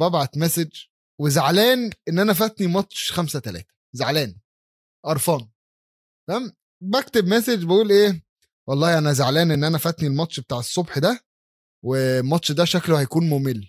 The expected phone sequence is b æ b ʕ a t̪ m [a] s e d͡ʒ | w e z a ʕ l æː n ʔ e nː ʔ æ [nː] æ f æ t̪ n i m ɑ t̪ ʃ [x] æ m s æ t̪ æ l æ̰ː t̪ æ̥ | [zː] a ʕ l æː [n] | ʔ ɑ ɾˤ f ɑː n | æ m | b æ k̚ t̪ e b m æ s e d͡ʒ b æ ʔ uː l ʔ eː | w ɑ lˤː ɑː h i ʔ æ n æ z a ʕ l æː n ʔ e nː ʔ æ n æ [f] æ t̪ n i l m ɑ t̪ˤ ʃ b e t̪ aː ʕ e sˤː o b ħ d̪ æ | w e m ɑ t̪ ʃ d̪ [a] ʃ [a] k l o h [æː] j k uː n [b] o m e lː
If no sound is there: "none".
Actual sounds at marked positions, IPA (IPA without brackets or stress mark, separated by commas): æ, n, x, z, n, f, æ, æ, æ, m